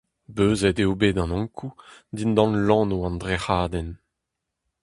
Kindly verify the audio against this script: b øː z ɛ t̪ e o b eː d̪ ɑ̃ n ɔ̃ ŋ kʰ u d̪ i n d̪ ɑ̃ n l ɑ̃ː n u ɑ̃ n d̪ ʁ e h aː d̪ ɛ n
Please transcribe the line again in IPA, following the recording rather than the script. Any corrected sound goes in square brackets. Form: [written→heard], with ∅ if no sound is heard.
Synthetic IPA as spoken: b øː z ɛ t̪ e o b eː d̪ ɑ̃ n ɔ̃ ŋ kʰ u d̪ i n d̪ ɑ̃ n l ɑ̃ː n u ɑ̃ n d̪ ʁ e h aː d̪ ɛ n